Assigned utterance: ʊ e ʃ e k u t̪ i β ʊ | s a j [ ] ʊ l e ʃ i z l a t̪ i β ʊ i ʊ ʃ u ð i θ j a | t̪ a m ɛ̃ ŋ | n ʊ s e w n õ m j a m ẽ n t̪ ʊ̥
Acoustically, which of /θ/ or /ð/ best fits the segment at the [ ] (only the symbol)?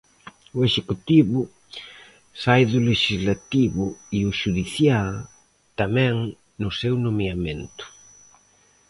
ð